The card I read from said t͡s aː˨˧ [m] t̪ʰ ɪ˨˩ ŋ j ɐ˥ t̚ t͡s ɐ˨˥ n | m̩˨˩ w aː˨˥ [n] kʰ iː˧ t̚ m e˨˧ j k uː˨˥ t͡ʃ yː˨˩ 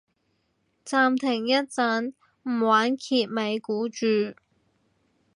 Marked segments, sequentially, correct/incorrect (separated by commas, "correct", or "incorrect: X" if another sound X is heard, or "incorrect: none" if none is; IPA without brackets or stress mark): correct, correct